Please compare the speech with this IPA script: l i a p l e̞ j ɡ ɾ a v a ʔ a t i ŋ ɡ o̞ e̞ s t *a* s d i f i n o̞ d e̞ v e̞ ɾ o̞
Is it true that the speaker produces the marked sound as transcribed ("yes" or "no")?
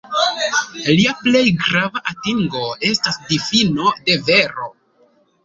yes